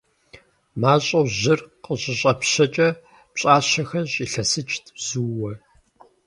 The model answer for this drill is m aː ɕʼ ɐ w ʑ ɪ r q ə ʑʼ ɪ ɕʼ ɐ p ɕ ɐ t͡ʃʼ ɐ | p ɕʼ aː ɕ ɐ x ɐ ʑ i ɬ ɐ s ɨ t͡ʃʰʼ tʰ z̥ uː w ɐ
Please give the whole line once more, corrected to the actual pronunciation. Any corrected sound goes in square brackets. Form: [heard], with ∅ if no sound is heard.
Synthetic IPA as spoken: m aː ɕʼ ɐ w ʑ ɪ r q ə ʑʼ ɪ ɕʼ ɐ p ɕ ɐ t͡ʃʼ ɐ | p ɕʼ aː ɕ ɐ x ɐ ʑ i ɬ ɐ s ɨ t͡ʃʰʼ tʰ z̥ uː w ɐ

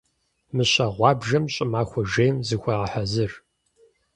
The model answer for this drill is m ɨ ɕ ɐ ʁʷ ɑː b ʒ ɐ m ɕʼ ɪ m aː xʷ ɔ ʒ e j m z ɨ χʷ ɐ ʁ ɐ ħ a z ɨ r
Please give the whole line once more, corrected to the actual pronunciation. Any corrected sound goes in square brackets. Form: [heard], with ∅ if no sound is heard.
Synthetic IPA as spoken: m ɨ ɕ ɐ ʁʷ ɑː b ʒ ɐ m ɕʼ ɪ m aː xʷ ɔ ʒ e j m z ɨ [xʷ] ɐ ʁ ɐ ħ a z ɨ r

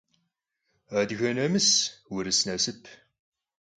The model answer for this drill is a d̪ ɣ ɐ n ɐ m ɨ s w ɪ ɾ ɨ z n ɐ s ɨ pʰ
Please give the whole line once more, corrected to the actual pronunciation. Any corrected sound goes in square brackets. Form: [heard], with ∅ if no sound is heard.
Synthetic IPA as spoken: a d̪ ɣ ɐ n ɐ m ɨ s w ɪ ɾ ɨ [s] n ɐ s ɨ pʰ

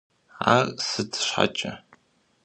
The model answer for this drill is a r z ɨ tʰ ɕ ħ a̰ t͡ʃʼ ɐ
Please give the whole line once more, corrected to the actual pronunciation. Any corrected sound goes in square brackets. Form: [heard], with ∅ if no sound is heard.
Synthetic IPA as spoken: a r [s] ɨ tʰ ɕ ħ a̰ t͡ʃʼ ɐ

